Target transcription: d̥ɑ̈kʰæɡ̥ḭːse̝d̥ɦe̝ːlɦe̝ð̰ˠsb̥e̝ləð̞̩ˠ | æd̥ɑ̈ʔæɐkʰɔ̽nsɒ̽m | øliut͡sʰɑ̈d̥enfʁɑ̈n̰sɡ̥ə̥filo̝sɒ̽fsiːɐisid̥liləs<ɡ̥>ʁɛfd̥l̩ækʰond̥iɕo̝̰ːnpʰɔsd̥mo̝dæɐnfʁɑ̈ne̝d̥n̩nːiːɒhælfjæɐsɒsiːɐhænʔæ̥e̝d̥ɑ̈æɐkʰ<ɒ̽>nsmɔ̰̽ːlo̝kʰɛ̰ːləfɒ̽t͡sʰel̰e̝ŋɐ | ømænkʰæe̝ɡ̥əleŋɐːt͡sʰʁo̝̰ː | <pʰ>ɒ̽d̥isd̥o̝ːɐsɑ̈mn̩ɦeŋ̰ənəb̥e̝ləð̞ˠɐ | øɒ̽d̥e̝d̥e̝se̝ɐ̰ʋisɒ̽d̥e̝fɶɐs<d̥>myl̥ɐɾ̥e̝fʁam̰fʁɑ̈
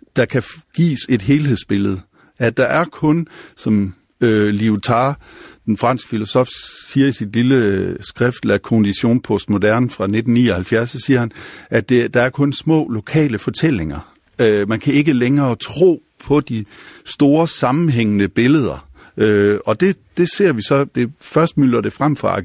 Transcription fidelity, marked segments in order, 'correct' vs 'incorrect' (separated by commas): correct, incorrect, correct, correct